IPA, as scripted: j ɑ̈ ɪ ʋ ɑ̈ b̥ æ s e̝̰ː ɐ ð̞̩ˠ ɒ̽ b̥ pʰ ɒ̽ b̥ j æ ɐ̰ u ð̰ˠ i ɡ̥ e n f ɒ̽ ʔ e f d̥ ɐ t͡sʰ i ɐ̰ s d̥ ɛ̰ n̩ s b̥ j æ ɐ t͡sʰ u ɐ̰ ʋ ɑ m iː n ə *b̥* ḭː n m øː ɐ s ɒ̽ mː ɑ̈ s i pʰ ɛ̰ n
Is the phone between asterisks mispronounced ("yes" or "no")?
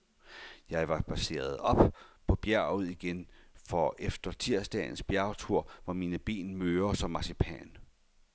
no